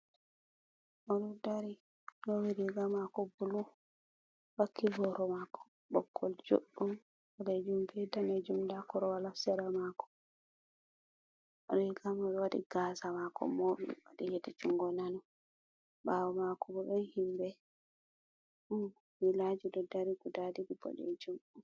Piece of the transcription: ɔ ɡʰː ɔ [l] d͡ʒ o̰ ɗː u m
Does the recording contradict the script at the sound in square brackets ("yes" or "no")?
no